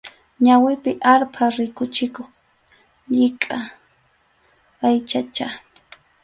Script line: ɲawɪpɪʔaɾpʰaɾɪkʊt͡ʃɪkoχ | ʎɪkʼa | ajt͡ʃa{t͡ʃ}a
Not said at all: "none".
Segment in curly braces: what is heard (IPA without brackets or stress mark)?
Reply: t͡ʃ